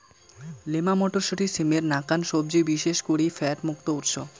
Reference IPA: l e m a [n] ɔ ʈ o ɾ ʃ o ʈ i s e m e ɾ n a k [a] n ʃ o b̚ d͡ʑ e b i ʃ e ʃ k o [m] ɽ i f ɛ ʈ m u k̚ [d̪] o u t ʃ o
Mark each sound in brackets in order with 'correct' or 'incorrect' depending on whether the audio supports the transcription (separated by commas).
incorrect, correct, incorrect, incorrect